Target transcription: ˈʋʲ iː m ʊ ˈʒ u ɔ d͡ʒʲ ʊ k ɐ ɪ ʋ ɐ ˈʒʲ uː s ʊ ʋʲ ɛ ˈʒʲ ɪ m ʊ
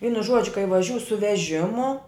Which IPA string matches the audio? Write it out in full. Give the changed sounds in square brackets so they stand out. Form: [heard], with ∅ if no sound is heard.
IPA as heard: ˈʋʲ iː [n] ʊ ˈʒ u ɔ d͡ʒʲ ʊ k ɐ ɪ ʋ ɐ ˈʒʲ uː s ʊ ʋʲ ɛ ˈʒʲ ɪ m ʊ

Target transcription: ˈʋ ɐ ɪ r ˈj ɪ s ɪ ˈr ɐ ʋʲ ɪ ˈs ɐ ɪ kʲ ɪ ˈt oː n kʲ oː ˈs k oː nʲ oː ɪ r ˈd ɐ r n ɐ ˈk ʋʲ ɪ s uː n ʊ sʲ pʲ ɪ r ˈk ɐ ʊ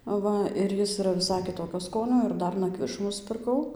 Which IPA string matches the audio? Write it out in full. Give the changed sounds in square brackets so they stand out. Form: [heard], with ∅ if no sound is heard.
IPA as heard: ˈʋ ɐ ɪ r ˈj ɪ s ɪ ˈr ɐ ʋʲ ɪ ˈs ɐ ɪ kʲ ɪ ˈt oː [∅] kʲ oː ˈs k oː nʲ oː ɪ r ˈd ɐ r n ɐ ˈk ʋʲ ɪ [ʃ] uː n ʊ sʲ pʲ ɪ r ˈk ɐ ʊ

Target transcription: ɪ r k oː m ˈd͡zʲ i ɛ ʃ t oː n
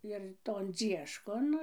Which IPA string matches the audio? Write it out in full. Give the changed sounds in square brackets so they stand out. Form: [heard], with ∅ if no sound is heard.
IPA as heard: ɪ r [t] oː [n] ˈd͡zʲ i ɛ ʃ [k] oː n

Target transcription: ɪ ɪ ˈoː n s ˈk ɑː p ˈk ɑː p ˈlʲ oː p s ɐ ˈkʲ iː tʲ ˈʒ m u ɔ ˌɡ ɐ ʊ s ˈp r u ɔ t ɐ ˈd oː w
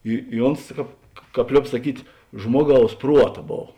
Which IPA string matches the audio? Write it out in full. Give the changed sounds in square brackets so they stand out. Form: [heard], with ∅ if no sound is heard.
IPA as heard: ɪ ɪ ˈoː n s ˈk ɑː p ˈk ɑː p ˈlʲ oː p s ɐ ˈkʲ iː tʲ ˈʒ m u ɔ ˌɡ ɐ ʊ s ˈp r u ɔ t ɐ [ˈb] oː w

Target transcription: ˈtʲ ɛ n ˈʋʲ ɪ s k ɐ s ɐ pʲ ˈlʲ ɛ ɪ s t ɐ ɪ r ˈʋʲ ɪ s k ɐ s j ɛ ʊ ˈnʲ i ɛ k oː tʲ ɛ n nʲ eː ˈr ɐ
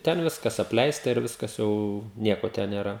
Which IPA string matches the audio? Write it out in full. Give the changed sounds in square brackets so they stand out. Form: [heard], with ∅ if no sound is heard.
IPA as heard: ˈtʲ ɛ n ˈʋʲ ɪ s k ɐ s ɐ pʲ ˈlʲ ɛ ɪ s t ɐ ɪ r ˈʋʲ ɪ s k ɐ s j ɛ ʊ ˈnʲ i ɛ k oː tʲ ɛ n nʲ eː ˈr ɐ

